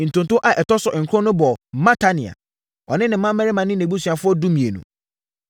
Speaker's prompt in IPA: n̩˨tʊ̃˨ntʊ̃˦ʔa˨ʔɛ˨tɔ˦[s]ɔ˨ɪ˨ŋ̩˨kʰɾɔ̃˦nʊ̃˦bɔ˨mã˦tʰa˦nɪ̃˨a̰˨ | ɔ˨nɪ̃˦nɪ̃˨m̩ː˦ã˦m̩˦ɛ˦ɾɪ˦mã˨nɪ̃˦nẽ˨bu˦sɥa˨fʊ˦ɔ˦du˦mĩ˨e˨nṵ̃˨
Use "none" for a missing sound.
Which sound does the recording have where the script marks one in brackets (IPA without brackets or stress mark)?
s